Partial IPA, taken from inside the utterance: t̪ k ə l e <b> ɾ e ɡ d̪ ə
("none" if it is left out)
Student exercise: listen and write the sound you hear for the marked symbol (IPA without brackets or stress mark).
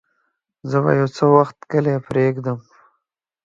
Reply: p